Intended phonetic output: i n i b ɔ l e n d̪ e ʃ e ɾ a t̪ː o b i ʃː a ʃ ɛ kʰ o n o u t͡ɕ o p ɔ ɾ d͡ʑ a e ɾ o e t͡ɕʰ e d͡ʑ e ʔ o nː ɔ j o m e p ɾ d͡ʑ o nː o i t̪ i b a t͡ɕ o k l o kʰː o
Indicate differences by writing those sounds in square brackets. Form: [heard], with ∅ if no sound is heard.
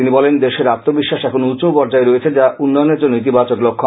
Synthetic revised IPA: i n i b ɔ l e n d̪ e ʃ e ɾ a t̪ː o b i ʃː a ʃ ɛ kʰ o n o u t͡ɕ o p ɔ ɾ d͡ʑ a e ɾ o e t͡ɕʰ e d͡ʑ [a] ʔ [u] nː ɔ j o [n] e [∅] ɾ d͡ʑ o nː o i t̪ i b a t͡ɕ o k l o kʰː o

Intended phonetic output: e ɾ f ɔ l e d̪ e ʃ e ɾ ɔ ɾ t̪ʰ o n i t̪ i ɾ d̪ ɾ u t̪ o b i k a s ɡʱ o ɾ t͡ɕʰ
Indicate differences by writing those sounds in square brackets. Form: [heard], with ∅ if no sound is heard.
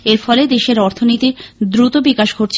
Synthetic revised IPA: e ɾ f ɔ l e d̪ e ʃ e ɾ ɔ ɾ t̪ʰ o n i t̪ i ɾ d̪ ɾ u t̪ o b i k a [ʃ] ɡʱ o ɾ t͡ɕʰ

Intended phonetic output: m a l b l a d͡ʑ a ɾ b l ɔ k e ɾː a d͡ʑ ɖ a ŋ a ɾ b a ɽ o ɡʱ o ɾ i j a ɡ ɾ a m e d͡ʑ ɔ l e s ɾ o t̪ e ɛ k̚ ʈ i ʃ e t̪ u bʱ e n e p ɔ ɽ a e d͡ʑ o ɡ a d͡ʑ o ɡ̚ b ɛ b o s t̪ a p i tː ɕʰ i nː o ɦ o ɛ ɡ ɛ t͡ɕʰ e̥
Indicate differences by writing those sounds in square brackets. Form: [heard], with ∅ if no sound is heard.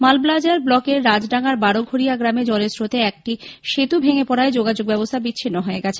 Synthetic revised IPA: m a l b l a d͡ʑ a ɾ b l ɔ k e ɾː a d͡ʑ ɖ a ŋ a ɾ b a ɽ o ɡʱ o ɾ i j a ɡ ɾ a m e d͡ʑ ɔ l e s ɾ o t̪ e ɛ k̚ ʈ i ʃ e t̪ u bʱ e [ŋ] e p ɔ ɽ a e d͡ʑ o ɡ a d͡ʑ o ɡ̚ b ɛ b o s [t̪ʰ] a [b] i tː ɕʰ i nː o ɦ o [e] ɡ ɛ t͡ɕʰ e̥

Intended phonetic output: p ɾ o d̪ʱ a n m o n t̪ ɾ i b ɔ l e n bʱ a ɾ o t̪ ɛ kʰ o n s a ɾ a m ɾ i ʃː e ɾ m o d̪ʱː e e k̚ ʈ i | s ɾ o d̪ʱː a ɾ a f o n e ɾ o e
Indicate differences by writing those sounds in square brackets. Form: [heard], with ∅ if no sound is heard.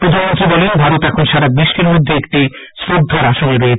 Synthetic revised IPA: p ɾ o d̪ʱ a n m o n t̪ ɾ i b ɔ l e n bʱ a ɾ o t̪ ɛ kʰ o n [ʃ] a ɾ a [b] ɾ i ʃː e ɾ m o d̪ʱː e e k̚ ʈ i | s ɾ o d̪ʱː a ɾ a [ʃ] o n e ɾ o e

